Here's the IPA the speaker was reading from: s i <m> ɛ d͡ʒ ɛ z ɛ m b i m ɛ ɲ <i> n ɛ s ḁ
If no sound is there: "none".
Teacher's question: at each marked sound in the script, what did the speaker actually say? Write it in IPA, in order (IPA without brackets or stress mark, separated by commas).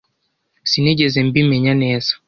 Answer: n, a